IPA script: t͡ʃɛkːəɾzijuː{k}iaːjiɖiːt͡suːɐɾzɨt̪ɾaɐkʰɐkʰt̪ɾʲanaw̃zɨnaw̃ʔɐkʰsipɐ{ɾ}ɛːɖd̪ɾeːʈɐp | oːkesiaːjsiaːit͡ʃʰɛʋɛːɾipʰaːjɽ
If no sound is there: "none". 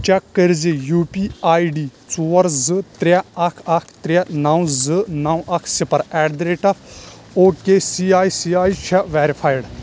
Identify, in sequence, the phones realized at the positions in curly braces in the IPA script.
p, ɾ

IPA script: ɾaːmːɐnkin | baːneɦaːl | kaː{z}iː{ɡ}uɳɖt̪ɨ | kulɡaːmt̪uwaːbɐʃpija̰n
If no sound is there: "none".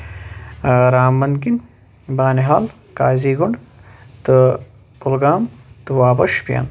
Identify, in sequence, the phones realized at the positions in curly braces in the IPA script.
z, ɡ

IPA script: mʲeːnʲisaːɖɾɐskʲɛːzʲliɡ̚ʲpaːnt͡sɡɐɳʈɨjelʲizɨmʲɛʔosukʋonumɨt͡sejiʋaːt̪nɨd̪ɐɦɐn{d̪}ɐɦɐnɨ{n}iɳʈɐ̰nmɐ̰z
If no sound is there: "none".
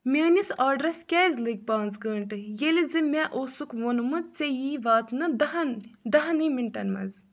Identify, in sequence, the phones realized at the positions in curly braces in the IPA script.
d̪, m

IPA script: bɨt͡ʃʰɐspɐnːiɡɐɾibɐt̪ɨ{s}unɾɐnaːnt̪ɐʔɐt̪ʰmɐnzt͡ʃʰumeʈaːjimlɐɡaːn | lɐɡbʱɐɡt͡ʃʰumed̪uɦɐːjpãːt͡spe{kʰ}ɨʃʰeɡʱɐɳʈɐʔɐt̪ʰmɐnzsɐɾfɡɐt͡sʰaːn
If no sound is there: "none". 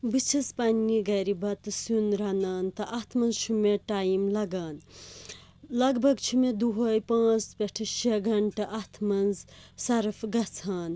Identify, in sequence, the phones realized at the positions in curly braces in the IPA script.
s, ʈʰ

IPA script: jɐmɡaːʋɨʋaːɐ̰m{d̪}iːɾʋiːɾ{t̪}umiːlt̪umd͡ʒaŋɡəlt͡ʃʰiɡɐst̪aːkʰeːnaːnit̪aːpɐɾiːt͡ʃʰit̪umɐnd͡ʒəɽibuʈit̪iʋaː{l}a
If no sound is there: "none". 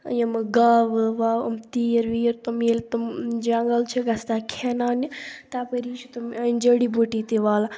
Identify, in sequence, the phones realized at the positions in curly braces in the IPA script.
t̪, t̪, l

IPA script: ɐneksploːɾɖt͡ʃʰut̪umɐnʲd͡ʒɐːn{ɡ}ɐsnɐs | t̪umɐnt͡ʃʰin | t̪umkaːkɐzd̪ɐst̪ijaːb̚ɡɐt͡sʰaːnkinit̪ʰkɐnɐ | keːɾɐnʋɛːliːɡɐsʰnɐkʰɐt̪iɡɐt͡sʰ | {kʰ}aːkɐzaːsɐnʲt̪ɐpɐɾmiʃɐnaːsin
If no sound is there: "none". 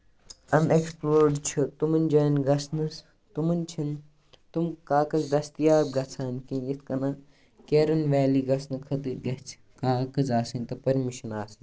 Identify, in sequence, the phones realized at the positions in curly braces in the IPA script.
ɡ, k

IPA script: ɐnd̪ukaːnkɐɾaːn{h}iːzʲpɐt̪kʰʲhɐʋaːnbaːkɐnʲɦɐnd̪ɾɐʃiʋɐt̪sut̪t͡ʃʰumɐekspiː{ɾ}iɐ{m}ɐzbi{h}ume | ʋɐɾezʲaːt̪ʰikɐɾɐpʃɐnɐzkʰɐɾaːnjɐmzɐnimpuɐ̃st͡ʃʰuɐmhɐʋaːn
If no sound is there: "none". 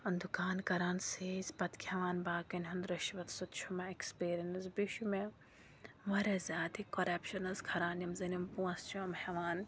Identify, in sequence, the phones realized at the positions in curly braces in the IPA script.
s, ɾ, n, ʃ

